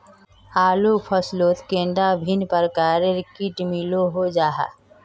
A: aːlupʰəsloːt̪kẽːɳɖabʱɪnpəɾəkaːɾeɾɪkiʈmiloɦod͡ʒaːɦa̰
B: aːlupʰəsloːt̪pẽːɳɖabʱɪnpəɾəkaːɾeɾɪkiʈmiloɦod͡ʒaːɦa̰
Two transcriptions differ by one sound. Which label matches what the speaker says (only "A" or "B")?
A